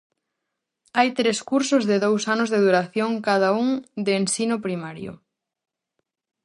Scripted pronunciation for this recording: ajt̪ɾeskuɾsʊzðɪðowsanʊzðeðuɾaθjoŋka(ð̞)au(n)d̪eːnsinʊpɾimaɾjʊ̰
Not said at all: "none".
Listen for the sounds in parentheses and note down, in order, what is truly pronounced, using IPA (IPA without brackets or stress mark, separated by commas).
ð̞, ŋ